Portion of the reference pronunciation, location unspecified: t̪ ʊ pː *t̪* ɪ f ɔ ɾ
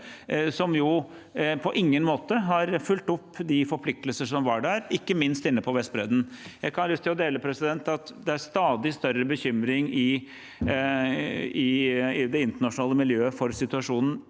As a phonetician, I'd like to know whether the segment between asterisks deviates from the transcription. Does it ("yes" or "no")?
yes